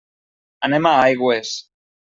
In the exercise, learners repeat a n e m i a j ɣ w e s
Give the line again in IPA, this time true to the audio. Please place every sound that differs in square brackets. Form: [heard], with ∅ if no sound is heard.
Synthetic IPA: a n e m [a] a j ɣ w e s